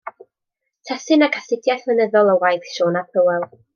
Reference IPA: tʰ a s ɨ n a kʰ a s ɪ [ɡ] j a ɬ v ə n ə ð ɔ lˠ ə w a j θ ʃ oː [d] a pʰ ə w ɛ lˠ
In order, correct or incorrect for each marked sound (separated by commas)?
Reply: incorrect, incorrect